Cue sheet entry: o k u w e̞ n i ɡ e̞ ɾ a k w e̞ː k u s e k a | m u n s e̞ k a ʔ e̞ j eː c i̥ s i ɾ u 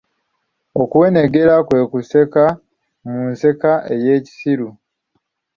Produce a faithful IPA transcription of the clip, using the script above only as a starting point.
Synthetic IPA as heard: o k u w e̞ n e ɡ e̞ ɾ a k w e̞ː k u s e k a | m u n s e̞ k a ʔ e̞ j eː c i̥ s i ɾ u

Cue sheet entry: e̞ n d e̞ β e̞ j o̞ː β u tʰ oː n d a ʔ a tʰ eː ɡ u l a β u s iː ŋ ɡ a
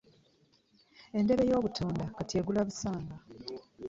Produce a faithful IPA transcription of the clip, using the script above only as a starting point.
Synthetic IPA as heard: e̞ n d e̞ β e̞ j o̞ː β u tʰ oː n d a k a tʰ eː ɡ u l a β u s aː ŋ ɡ a

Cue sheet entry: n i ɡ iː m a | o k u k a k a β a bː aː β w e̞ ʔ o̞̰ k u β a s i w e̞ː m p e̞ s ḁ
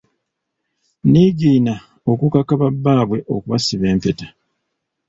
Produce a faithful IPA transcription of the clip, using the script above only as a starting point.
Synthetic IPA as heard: n i ɡ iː n a | o k u k a k a β a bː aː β w e̞ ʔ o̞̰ k u β a s i β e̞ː m p e̞ t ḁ

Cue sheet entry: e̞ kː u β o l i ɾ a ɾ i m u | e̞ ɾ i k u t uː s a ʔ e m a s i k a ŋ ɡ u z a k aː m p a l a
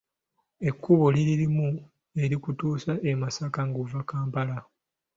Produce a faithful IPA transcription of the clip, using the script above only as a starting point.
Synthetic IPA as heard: e̞ kː u β o l i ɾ i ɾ i m u | e̞ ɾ i k u t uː s a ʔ e m a s a k a ŋ ɡ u v a k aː m p a l a

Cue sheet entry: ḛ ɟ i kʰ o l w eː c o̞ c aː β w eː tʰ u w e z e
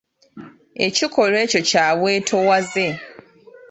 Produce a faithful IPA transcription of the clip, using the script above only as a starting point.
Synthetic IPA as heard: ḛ c i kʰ o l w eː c o̞ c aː β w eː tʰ o w a z e

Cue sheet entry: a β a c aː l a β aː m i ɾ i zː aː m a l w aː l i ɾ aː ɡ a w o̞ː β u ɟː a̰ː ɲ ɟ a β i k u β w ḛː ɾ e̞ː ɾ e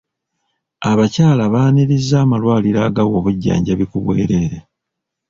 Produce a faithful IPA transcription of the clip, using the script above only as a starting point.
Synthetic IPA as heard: a β a c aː l a β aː n i ɾ i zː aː m a l w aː l i ɾ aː ɡ a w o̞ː β u ɟː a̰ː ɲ ɟ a β i k u β w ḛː ɾ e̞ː ɾ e

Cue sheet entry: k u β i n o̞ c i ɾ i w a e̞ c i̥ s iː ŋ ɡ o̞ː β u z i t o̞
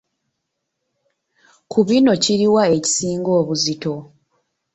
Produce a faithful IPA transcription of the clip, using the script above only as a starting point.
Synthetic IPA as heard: k u β i n o̞ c i ɾ i w a e̞ c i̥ s iː ŋ ɡ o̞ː β u z i t o̞

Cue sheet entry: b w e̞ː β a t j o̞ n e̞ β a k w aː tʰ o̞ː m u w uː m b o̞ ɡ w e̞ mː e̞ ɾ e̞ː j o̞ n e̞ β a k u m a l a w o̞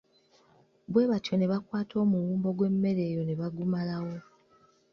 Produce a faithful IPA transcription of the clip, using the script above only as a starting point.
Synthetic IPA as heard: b w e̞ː β a t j o̞ n e̞ β a k w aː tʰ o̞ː m u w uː m b o̞ ɡ w e̞ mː e̞ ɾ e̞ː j o̞ n e̞ β a ɡ u m a l a w o̞

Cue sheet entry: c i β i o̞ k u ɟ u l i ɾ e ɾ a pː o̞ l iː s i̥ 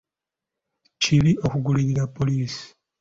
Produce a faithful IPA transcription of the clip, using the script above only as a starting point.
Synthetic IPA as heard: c i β i o̞ k u ɡ u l i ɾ i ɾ a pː o̞ l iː s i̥

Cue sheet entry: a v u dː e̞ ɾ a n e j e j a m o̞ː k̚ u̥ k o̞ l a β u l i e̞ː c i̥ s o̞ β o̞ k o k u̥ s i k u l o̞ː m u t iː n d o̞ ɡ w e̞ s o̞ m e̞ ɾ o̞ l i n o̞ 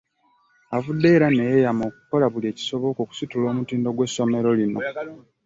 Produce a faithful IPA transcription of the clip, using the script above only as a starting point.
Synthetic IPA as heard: a v u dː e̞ ɾ a n e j e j a m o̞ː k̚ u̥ k o̞ l a β u l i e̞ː c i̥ s o̞ β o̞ k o k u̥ s i t u l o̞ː m u t iː n d o̞ ɡ w e̞ s o̞ m e̞ ɾ o̞ l i n o̞

